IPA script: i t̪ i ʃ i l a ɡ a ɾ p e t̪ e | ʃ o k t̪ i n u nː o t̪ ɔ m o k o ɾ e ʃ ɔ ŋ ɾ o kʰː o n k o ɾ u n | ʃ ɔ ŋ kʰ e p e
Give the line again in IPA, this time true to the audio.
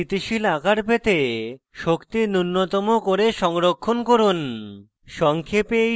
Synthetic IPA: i t̪ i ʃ i l a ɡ a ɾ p e t̪ e | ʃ o k t̪ i n u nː o t̪ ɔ m o k o ɾ e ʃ ɔ ŋ ɾ o kʰː o n k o ɾ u n | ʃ ɔ ŋ kʰ e p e